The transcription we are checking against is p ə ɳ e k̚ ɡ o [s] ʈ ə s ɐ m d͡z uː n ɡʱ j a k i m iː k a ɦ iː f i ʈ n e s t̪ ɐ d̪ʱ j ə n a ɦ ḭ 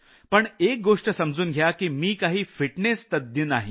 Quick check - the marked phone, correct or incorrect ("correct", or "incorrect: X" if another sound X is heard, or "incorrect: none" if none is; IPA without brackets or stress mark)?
incorrect: ʂ